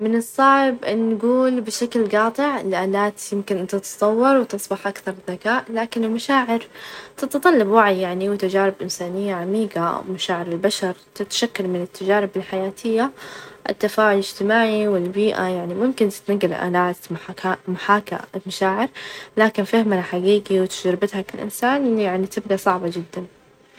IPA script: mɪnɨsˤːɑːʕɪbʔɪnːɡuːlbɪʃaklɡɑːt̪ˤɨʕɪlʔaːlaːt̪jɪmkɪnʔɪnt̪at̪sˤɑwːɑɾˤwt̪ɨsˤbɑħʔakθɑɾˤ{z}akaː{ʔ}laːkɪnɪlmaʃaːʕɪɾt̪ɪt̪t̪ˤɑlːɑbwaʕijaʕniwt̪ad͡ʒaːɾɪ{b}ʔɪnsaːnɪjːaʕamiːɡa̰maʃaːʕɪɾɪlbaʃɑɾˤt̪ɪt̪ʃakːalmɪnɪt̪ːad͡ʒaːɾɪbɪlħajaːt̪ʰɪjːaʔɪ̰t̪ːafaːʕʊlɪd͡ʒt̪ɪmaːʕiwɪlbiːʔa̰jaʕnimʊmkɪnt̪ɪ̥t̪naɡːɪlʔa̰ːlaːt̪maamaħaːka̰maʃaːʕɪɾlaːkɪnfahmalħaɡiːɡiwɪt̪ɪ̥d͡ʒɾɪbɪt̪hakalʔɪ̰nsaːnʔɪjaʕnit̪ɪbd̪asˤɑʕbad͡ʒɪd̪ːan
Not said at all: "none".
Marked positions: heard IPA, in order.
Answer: ð, ʔ, b

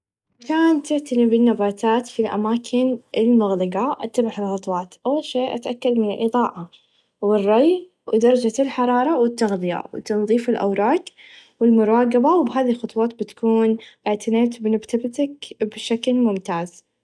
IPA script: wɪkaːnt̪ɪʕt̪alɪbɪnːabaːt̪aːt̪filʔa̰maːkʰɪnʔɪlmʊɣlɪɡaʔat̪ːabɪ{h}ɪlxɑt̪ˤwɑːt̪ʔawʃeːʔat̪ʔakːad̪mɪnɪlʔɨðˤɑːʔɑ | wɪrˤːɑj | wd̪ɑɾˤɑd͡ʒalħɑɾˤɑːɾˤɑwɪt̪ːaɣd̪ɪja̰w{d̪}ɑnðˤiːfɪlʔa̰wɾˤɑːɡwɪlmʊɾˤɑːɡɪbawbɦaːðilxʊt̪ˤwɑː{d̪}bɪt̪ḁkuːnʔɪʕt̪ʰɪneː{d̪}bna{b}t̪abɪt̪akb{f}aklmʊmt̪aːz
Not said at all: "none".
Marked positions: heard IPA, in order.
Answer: ħ, t̪, t̪, t̪, b, ʃ

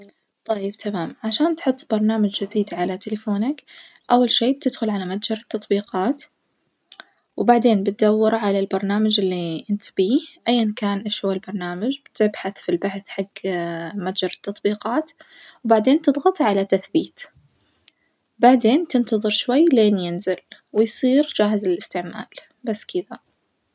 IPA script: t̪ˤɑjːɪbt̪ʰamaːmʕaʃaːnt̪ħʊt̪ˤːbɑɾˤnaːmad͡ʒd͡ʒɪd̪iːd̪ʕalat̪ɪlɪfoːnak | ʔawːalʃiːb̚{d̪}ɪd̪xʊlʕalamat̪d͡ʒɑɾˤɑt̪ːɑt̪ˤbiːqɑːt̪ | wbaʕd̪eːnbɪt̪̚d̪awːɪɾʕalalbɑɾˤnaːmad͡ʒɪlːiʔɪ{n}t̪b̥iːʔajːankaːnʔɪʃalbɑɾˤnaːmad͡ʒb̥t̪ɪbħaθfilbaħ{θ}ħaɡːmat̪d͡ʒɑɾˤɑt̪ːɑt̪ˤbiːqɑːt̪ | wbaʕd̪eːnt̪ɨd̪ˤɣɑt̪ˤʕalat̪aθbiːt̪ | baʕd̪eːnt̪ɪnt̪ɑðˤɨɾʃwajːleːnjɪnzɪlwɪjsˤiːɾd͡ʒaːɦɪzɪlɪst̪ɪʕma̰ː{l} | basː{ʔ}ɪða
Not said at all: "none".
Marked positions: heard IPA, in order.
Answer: t̪, n, θ, l, k

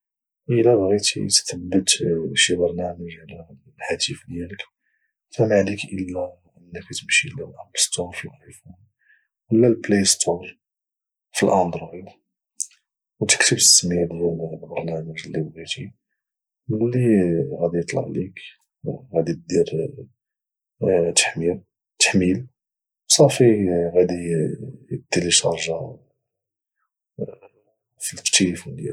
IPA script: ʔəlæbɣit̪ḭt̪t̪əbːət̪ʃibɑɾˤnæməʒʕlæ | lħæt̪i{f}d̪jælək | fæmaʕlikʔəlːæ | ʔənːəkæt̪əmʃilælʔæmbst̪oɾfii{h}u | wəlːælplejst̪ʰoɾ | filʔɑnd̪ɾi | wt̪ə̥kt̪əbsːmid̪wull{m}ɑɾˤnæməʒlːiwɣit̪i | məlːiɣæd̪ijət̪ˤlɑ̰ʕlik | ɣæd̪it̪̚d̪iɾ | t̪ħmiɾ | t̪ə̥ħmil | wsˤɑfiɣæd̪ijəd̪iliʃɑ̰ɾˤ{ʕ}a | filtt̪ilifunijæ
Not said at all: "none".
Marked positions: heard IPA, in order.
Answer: f, f, b, ʒ

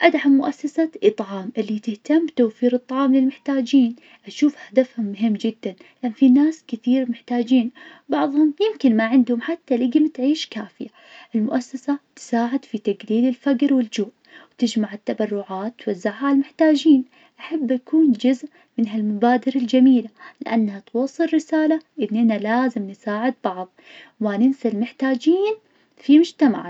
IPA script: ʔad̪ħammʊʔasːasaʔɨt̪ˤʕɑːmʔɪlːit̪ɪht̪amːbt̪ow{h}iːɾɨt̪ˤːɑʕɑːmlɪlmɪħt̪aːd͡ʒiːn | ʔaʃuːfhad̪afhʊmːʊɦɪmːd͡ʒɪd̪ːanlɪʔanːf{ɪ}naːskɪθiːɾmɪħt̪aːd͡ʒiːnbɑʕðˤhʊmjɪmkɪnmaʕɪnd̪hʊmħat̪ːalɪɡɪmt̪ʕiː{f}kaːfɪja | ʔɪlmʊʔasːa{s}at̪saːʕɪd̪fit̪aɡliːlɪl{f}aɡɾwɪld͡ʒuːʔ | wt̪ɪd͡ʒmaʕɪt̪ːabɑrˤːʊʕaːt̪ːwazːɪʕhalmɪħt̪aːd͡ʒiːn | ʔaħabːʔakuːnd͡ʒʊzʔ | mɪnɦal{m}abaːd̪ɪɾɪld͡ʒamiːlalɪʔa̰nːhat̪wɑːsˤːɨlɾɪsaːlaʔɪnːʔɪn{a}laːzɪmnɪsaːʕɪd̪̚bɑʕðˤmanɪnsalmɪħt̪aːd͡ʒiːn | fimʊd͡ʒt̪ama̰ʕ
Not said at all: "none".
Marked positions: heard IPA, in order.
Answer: f, i, ʃ, s, f, m, a

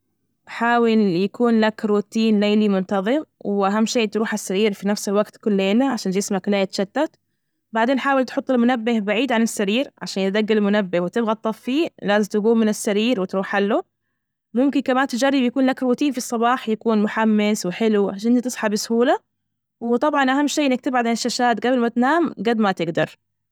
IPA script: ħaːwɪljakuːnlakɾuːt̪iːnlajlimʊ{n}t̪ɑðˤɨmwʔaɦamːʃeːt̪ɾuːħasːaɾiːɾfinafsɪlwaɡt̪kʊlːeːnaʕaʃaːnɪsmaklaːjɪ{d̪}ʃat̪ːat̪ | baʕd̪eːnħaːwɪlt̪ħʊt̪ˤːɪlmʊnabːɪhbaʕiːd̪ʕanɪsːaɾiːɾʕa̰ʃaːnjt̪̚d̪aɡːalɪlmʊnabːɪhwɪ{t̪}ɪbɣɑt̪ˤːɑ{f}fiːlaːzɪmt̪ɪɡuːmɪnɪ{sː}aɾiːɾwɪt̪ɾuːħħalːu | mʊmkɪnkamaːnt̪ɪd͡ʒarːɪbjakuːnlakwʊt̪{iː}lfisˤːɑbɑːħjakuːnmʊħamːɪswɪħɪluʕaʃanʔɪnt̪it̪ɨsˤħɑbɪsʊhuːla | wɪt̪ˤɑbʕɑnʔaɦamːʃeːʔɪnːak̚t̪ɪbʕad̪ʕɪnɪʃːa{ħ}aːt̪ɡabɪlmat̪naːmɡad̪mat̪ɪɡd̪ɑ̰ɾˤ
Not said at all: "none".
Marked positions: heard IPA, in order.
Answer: n, t̪, t̪, f, sː, iː, ʃ

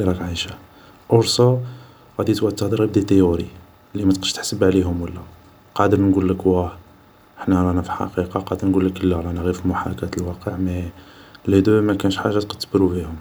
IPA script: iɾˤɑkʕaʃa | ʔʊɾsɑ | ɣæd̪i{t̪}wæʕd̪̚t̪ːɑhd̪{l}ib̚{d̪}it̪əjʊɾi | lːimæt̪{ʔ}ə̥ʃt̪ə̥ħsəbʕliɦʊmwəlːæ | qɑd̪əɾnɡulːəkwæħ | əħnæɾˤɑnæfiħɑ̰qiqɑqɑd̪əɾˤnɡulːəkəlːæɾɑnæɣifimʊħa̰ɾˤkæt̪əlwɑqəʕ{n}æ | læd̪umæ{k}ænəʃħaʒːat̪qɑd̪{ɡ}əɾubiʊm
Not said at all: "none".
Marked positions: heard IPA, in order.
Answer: t̪, ɾ, d̪, q, m, k, b

